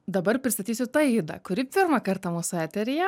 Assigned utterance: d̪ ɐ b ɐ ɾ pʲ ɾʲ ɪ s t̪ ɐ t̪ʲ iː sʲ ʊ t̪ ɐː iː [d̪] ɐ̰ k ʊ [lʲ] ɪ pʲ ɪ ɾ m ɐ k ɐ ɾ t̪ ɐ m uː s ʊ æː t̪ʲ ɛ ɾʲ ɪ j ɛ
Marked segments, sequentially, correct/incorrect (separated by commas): correct, incorrect